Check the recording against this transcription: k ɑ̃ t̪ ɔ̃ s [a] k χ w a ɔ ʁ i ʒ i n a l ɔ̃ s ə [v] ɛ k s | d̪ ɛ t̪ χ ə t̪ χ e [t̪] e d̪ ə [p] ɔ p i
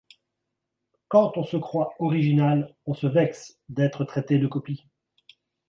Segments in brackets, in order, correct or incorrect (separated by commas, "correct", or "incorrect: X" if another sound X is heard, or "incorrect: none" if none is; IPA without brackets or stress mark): incorrect: ə, correct, correct, incorrect: k